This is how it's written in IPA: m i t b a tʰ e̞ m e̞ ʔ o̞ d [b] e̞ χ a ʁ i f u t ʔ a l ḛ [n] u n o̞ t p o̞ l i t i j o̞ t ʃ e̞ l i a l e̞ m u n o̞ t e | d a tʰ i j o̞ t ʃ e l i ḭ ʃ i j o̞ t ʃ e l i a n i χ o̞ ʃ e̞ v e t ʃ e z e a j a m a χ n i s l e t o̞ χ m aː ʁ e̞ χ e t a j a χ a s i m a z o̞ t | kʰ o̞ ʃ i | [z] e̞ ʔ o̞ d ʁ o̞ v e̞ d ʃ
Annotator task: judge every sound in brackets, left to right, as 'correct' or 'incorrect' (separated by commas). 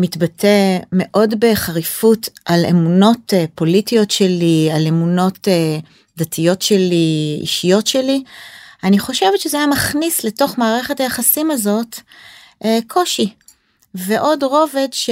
correct, incorrect, incorrect